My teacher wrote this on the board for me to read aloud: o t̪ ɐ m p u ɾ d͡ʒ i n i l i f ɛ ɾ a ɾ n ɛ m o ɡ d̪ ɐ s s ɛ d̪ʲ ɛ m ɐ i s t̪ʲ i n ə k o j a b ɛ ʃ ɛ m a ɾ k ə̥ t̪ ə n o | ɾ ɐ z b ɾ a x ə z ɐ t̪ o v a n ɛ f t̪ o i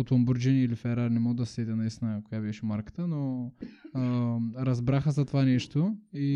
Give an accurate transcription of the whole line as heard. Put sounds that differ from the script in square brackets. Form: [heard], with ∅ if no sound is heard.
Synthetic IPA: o t̪ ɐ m [b] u ɾ d͡ʒ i n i l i f ɛ ɾ a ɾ n ɛ m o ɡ d̪ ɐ s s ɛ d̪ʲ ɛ [n] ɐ i s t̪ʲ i n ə k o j a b ɛ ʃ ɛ m a ɾ k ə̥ t̪ ə n o | ɾ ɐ z b ɾ a x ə z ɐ t̪ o v a n ɛ [ʃ] t̪ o i